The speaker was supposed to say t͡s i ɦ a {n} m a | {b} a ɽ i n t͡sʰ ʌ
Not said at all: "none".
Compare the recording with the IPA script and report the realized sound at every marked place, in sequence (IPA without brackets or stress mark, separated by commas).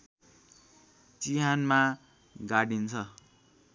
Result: n, ɡ